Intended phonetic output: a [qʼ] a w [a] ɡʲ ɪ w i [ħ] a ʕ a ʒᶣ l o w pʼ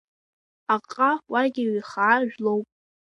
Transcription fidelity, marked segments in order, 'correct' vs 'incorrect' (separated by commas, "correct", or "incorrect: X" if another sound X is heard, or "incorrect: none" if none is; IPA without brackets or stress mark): correct, correct, incorrect: χ